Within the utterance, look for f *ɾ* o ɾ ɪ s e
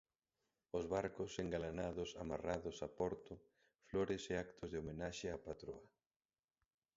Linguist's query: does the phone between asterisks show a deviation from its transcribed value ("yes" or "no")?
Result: yes